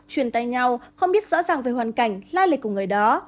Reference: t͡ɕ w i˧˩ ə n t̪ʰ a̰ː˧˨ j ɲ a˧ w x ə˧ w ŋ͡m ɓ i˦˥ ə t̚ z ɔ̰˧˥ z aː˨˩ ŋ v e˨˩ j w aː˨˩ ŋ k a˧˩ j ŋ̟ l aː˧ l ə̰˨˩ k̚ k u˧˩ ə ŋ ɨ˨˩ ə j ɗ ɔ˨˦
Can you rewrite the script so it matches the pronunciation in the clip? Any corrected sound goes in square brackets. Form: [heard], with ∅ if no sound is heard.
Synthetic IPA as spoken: t͡ɕ w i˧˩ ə n [t̪] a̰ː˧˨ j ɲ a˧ w x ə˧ w ŋ͡m ɓ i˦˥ ə t̚ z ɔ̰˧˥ z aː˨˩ ŋ v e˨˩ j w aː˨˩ [n] k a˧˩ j ŋ̟ l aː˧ l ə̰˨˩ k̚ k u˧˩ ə ŋ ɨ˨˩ ə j ɗ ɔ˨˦